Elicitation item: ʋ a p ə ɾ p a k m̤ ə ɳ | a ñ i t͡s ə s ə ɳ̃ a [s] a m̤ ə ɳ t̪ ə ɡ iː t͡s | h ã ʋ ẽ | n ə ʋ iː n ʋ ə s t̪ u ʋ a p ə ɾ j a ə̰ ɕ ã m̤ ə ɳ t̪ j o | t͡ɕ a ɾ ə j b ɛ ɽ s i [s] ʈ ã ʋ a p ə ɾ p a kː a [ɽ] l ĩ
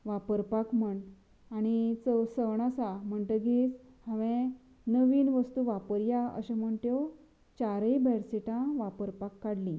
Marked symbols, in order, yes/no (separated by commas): yes, no, yes